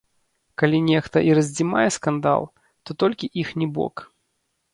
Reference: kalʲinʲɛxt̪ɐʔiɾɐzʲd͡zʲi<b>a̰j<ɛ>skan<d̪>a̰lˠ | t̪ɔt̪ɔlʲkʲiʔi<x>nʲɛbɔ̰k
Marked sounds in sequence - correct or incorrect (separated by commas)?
incorrect, correct, correct, correct